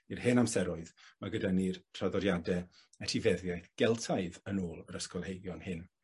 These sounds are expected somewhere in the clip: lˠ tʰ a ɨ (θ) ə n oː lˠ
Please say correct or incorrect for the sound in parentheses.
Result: incorrect